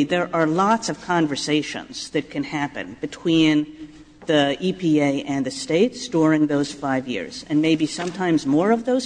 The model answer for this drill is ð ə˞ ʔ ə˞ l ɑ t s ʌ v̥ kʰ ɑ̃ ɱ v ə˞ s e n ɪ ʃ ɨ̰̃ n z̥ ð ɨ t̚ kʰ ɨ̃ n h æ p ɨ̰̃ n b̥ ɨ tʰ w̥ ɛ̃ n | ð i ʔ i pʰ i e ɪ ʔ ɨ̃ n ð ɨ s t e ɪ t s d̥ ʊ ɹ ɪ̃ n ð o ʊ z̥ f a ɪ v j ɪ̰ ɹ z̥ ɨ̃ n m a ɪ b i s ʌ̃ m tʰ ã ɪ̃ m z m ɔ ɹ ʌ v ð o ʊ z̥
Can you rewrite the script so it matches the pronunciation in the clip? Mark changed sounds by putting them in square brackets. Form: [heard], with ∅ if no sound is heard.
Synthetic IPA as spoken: ð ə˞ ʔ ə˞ l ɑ t s ʌ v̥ kʰ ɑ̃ ɱ v ə˞ s e [∅] ɪ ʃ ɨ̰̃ n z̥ ð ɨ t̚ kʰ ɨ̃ n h æ p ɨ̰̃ n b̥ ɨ tʰ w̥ [ĩ] n | ð i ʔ i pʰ i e ɪ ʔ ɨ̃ n ð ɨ s t e ɪ t s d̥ ʊ ɹ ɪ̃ [ŋ] ð o ʊ z̥ f a ɪ v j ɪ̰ ɹ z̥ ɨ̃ n m [e] ɪ b i s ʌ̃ m tʰ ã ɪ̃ m z m ɔ ɹ ʌ v ð o ʊ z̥